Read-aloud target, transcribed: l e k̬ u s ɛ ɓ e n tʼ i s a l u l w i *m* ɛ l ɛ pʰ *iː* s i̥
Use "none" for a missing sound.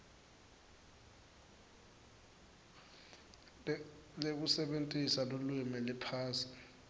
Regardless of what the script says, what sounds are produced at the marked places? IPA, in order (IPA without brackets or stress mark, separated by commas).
m, aː